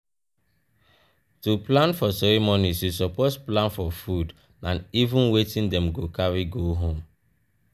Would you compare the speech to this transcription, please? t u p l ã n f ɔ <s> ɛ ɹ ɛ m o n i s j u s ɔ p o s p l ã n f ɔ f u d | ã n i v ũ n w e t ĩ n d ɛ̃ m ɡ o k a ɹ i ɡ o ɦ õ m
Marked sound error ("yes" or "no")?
no